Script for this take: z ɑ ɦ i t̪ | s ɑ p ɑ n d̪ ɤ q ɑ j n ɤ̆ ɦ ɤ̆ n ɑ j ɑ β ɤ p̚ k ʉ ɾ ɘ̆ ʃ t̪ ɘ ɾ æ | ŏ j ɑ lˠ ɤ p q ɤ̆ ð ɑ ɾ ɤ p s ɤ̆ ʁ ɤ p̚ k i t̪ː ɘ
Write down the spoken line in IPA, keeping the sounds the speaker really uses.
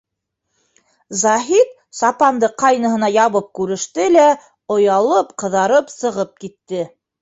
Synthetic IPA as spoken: z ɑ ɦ i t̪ | s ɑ p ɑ n d̪ ɤ q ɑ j n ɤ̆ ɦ ɤ̆ n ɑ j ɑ β ɤ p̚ k ʉ ɾ ɘ̆ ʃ t̪ ɘ l æ | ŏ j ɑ lˠ ɤ p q ɤ̆ ð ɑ ɾ ɤ p s ɤ̆ ʁ ɤ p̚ k i t̪ː ɘ